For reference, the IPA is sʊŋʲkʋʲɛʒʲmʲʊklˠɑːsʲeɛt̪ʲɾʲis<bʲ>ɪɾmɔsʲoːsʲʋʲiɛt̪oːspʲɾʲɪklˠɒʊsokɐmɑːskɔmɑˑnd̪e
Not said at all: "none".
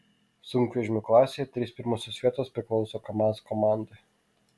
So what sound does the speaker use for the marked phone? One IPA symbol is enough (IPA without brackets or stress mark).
pʲ